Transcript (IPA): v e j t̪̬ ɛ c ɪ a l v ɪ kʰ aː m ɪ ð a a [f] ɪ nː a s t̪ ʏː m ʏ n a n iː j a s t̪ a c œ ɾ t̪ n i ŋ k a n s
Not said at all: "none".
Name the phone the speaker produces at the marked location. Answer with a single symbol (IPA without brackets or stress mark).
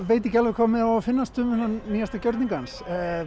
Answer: f